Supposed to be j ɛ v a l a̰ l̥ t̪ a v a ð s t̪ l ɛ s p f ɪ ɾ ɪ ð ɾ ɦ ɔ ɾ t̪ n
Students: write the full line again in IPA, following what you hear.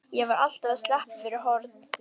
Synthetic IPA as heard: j ɛ v a ɾ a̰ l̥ t̪ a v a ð s t̪ l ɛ h p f ɪ ɾ ɪ ɾ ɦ ɔ ɾ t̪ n